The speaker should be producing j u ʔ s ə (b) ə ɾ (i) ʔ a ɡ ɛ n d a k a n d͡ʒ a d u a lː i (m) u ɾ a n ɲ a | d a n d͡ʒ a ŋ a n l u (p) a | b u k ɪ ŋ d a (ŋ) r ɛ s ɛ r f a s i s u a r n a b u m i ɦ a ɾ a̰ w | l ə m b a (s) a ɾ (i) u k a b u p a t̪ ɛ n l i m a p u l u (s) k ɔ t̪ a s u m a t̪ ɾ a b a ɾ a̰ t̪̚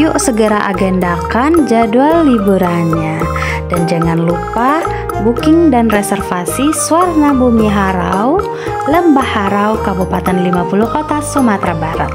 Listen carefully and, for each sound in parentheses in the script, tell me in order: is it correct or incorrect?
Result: incorrect, incorrect, incorrect, correct, incorrect, incorrect, incorrect, incorrect

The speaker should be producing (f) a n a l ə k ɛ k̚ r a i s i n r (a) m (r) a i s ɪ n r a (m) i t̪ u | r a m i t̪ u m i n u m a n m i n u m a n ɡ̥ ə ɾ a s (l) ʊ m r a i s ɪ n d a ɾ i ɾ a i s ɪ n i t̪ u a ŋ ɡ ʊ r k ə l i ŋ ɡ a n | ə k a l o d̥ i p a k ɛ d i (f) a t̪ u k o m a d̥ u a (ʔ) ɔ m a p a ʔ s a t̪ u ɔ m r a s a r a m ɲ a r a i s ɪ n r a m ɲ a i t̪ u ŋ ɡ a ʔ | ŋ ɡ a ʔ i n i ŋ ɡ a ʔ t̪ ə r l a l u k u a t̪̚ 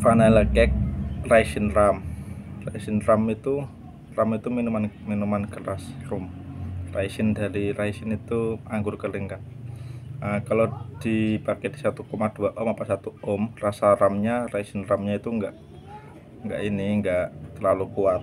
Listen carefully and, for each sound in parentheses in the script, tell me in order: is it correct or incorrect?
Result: correct, correct, correct, correct, incorrect, incorrect, correct

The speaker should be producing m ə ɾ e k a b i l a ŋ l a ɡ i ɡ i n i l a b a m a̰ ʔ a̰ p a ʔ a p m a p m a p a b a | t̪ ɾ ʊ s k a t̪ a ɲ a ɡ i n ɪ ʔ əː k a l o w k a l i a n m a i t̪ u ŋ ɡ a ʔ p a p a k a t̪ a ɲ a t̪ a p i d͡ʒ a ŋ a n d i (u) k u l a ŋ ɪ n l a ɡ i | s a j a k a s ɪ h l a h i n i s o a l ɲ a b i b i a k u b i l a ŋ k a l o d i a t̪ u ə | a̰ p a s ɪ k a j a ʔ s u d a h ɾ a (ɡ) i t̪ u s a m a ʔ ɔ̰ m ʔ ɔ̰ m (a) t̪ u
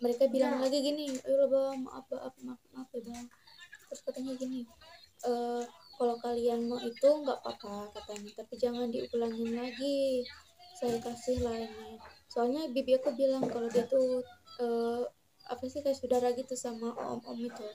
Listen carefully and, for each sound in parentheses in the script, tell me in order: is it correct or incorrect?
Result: correct, correct, incorrect

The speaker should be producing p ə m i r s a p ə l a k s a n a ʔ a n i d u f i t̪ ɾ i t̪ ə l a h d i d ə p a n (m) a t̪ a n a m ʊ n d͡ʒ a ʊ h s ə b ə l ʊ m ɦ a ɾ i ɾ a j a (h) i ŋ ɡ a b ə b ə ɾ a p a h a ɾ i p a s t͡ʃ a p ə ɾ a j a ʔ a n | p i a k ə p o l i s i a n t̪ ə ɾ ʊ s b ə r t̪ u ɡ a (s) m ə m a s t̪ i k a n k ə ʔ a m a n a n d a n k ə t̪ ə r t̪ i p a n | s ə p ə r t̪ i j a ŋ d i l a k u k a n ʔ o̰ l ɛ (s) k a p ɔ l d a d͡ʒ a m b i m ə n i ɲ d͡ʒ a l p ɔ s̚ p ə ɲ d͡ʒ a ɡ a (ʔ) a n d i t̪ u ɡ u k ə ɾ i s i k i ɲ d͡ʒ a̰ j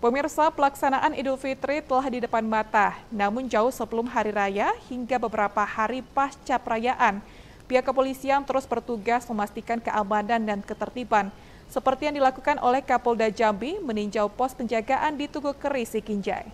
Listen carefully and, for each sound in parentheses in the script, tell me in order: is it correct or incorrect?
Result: correct, correct, correct, incorrect, correct

